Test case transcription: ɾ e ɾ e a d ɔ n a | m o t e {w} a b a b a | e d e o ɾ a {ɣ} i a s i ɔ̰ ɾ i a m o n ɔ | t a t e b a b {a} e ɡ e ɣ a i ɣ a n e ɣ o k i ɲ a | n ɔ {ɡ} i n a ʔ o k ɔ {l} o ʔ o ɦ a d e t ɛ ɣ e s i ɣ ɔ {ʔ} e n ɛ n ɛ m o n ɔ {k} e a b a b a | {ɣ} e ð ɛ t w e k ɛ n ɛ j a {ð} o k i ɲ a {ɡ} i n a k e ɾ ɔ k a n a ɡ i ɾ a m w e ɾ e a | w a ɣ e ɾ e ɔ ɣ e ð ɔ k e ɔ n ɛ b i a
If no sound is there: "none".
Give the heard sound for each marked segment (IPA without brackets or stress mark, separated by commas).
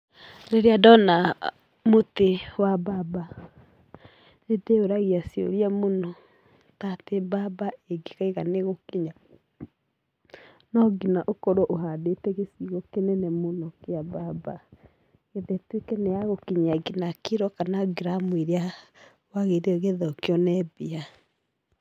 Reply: w, ɣ, a, ɡ, ɾ, k, k, ɣ, ɣ, ɡ